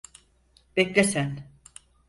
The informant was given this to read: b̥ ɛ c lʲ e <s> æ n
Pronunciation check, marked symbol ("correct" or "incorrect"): correct